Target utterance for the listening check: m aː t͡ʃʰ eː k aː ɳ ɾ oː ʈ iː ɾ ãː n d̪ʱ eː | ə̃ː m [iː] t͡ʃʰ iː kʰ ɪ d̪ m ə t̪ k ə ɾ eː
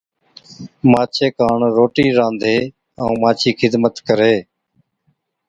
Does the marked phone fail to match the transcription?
yes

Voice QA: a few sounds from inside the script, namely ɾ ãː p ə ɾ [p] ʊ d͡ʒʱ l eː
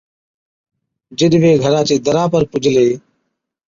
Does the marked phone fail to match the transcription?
no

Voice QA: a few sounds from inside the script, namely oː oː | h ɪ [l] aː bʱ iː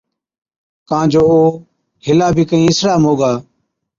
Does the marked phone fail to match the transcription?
no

